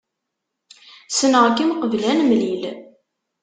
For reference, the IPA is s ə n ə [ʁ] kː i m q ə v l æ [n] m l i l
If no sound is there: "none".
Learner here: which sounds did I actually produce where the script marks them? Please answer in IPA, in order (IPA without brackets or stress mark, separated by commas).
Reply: ʁ, n